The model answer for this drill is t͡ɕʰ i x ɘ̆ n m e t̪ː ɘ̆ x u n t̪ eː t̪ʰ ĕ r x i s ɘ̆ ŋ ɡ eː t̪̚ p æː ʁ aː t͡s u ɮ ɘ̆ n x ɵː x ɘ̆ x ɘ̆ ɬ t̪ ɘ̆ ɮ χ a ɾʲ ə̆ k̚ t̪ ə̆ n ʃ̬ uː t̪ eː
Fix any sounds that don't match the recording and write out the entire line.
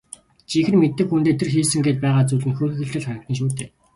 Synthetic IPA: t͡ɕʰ i x ɘ̆ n m e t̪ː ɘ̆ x u n t̪ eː t̪ʰ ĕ r x iː s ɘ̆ ŋ ɡ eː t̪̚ p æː ʁ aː t͡s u ɮ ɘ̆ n x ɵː x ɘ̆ x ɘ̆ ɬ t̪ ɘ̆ ɮ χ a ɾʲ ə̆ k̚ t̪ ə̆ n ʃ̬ uː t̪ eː